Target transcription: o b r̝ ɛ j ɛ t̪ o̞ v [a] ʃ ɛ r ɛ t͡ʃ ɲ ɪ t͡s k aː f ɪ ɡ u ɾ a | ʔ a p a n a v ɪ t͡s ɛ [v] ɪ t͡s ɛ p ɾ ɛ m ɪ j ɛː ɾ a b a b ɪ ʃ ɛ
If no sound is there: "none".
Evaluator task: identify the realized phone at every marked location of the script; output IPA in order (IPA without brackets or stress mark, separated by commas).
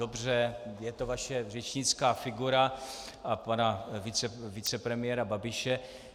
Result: a, v